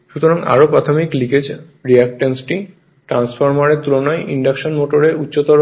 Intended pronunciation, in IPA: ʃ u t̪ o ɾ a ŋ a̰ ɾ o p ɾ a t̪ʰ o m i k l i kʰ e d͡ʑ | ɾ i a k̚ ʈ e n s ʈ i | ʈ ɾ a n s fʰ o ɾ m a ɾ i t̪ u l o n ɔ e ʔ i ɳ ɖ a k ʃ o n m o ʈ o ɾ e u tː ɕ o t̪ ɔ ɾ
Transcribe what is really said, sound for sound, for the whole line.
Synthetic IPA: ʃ u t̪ o ɾ a ŋ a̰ ɾ o p ɾ a t̪ʰ o m i k l i k e d͡ʑ | ɾ i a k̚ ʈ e n s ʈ i | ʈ ɾ a n s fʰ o ɾ m a ɾ e t̪ u l o n ɔ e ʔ i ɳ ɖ a k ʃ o n m o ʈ o ɾ e u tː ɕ o t̪ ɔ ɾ

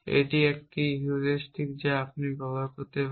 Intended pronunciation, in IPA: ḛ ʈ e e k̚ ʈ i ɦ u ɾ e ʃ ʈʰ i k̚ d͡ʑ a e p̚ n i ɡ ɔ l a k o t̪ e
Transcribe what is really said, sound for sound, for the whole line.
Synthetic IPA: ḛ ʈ i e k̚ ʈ i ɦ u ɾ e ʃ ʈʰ i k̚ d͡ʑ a a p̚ n i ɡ ɔ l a k o t̪ e

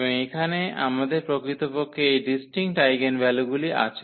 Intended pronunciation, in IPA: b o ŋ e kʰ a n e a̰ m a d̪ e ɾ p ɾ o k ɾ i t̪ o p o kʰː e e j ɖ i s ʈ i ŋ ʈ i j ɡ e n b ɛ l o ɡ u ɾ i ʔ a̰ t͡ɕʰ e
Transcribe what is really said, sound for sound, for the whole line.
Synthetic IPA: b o ŋ e kʰ a n e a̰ m a d̪ e ɾ p ɾ o k ɾ i t̪ o p o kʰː e e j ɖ i s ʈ i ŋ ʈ a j ɡ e n b ɛ l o ɡ u l i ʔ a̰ t͡ɕʰ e

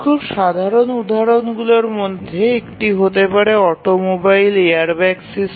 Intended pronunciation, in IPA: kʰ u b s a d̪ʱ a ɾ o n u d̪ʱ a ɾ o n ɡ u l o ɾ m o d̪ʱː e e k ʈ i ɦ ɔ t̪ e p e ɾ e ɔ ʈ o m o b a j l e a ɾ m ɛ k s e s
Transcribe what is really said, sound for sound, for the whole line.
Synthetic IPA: kʰ u b ʃ a d̪ʱ a ɾ o n u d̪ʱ a ɾ o n ɡ u l o ɾ m o d̪ʱː e e k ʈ i ɦ o t̪ e p a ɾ e ɔ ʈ o m o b a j l e a ɾ b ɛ k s i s

